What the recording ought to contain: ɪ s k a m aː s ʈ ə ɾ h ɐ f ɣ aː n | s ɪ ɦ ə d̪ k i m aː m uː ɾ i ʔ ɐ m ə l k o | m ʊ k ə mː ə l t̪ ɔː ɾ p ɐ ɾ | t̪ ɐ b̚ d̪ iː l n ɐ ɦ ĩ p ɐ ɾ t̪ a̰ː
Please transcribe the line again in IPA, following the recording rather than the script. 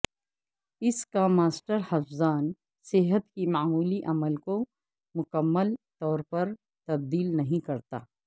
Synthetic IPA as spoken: ɪ s k a m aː s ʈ ə ɾ h ɐ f z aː n | s ɪ ɦ ə t̪ k i m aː m uː l i ʔ ɐ m ə l k o | m ʊ k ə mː ə l t̪ ɔː ɾ p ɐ ɾ | t̪ ɐ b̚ d̪ iː l n ɐ ɦ ĩ k ɐ ɾ t̪ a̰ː